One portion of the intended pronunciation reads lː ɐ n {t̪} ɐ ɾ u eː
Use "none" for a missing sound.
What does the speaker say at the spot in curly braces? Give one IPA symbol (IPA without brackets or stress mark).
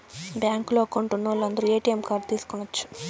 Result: d̪